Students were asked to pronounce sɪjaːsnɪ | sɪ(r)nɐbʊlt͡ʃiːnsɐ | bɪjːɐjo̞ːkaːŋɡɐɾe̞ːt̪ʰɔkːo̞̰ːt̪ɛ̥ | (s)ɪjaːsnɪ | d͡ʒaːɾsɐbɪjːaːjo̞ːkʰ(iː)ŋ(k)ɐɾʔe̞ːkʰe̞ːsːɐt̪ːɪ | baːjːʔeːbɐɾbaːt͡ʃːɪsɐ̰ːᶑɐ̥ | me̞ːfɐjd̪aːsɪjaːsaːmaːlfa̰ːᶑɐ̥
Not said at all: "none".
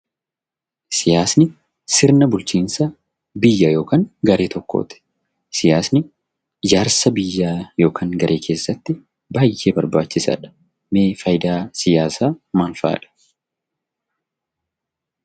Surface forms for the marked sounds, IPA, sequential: ɾ, s, aː, ɡ

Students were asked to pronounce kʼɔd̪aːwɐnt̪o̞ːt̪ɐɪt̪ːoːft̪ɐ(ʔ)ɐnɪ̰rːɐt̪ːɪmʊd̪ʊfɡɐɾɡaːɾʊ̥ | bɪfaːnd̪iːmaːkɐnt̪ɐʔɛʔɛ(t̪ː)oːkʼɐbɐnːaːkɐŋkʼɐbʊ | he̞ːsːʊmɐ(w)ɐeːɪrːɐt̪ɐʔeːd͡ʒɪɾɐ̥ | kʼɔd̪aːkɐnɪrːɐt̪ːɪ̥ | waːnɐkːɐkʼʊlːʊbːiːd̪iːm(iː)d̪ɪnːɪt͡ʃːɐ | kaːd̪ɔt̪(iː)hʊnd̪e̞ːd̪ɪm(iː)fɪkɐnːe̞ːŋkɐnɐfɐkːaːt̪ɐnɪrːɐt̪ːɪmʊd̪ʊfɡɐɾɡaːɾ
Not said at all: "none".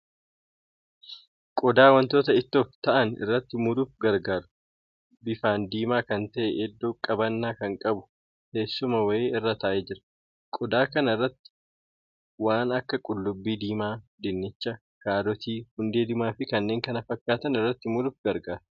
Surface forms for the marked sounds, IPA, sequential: ʔ, d̪ː, w, aː, iː, aː

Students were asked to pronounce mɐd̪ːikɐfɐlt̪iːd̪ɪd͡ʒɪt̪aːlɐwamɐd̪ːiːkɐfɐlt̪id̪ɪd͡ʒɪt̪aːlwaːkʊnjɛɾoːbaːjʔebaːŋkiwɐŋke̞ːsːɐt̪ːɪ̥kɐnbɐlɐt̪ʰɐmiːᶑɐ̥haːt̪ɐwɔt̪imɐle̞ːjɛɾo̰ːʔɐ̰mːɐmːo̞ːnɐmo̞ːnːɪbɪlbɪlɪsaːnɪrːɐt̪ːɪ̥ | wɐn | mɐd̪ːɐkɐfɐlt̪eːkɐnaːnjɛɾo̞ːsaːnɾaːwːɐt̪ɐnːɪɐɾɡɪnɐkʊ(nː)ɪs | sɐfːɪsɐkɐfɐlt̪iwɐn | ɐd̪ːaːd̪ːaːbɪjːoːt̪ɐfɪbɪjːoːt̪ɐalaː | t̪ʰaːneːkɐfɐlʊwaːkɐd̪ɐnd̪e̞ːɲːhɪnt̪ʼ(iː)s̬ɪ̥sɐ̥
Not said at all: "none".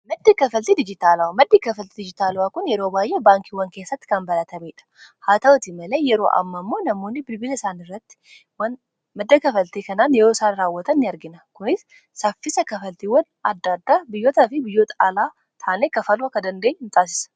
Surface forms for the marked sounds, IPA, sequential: n, aː

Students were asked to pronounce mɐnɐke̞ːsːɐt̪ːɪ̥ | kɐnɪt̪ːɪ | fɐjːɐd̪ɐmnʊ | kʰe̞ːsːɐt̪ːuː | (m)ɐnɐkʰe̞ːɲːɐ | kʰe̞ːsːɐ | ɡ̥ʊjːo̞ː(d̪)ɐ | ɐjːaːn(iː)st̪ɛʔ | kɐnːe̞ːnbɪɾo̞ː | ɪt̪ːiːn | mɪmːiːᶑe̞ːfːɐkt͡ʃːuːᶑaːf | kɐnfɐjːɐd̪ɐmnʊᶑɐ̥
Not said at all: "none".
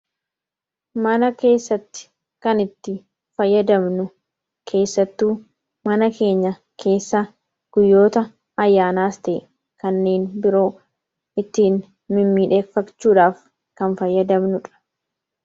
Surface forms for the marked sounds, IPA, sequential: m, t̪, aː

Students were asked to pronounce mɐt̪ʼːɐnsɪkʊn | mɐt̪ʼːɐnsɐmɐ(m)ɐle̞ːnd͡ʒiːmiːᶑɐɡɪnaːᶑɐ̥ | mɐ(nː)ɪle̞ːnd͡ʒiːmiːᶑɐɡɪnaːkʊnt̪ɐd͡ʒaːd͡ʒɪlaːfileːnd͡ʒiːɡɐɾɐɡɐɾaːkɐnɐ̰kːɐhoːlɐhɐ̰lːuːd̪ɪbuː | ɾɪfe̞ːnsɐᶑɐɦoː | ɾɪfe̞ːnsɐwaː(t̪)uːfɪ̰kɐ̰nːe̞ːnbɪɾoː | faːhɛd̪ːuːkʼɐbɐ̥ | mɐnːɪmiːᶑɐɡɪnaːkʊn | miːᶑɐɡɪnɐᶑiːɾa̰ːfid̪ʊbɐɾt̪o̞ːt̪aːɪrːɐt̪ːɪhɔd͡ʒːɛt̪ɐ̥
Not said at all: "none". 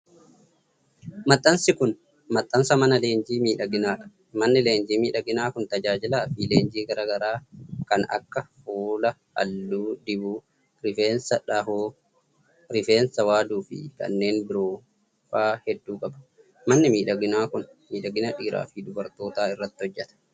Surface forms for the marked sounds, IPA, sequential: n, nː, d̪

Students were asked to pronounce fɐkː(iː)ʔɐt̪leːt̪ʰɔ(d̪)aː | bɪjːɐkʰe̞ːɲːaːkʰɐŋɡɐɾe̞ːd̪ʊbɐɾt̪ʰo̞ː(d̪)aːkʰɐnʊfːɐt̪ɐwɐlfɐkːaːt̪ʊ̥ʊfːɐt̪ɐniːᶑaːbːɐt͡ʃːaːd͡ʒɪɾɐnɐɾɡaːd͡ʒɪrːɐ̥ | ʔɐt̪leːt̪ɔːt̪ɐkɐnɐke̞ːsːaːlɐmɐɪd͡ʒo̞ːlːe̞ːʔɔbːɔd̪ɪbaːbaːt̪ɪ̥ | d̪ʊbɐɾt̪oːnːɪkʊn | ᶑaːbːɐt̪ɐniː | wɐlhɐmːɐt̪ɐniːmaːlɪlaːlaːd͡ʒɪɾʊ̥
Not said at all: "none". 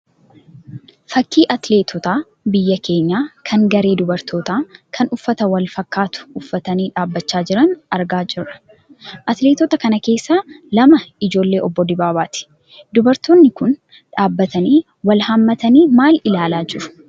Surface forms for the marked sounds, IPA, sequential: iː, t̪, t̪

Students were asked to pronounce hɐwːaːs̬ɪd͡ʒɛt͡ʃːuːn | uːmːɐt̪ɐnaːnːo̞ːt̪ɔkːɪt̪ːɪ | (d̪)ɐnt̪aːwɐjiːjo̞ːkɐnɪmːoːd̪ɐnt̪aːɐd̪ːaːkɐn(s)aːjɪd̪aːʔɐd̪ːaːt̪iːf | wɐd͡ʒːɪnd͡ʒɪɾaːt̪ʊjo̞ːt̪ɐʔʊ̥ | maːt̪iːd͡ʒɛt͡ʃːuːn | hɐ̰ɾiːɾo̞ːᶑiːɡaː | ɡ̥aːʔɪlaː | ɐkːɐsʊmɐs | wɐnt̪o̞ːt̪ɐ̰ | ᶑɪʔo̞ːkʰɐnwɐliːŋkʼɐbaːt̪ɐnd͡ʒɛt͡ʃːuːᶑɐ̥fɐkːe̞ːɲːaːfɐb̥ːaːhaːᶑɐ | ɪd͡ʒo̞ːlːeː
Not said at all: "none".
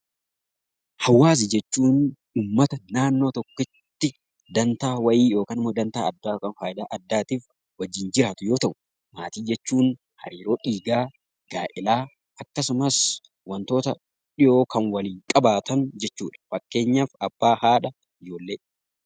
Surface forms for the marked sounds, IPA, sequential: d̪, f

